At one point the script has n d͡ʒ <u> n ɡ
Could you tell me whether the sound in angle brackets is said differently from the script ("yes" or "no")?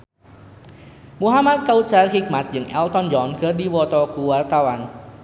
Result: yes